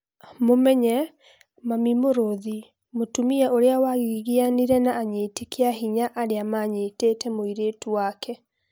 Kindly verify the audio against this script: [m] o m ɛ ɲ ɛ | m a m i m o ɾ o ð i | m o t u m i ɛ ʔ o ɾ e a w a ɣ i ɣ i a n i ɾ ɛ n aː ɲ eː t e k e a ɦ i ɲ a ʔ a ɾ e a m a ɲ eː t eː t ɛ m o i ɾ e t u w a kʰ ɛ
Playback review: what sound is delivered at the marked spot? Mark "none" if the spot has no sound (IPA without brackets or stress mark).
m